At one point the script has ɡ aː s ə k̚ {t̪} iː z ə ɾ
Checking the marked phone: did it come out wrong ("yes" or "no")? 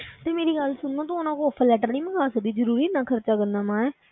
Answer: yes